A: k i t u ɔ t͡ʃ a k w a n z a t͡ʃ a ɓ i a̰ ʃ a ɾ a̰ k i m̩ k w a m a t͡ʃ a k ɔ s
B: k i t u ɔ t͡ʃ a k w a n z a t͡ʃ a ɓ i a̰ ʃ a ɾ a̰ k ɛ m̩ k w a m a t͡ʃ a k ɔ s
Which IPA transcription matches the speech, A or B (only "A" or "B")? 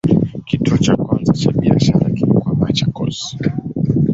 A